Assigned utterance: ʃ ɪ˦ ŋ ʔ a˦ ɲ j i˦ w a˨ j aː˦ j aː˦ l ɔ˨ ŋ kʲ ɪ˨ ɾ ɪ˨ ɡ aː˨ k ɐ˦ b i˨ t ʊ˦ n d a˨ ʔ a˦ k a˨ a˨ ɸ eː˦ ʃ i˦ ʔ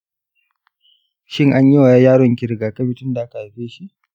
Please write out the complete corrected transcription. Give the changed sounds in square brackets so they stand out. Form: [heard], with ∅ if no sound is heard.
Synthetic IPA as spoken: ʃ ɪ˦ ŋ ʔ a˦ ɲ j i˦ w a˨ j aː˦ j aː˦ [ɽ] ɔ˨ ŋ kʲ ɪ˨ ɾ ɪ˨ ɡ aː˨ k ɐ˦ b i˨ t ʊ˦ n d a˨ ʔ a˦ k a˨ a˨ ɸ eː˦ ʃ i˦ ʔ